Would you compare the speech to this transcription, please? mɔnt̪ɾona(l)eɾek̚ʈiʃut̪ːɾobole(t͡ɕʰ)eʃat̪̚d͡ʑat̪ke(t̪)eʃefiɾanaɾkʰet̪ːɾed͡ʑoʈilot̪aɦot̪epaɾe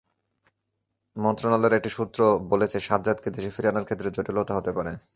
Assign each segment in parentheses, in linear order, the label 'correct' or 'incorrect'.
correct, correct, incorrect: d̪

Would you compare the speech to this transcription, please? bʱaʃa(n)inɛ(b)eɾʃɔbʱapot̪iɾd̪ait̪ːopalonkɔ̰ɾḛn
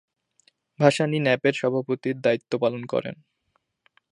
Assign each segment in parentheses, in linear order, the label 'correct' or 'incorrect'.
correct, incorrect: p

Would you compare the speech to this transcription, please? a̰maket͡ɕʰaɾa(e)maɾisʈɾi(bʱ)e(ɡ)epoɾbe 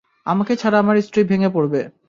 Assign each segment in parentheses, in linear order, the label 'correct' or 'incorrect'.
incorrect: a, correct, incorrect: ŋ

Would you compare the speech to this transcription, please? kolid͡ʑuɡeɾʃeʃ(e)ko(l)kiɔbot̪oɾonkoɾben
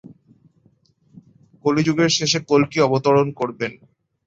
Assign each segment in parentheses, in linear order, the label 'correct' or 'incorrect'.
correct, correct

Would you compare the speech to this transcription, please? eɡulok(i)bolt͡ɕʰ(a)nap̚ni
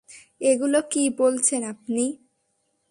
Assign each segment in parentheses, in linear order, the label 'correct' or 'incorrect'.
correct, incorrect: e

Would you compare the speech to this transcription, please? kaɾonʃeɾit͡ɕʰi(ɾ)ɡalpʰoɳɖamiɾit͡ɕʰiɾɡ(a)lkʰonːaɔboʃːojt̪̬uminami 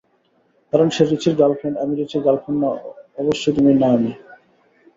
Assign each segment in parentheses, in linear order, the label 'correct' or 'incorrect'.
correct, correct

